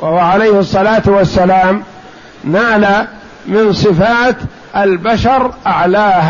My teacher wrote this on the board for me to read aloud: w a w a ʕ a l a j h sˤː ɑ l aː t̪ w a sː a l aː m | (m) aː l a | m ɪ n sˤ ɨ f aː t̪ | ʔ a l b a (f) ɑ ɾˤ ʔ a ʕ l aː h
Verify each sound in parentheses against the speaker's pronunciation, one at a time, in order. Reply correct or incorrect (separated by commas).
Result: incorrect, incorrect